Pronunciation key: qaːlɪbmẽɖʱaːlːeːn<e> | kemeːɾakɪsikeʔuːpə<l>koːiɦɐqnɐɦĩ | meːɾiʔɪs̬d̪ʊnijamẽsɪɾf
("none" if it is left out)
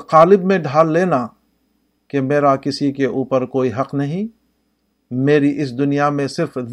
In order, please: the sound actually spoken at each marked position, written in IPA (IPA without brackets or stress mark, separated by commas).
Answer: a, ɾ